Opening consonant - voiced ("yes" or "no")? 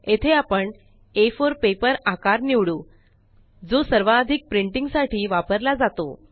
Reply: no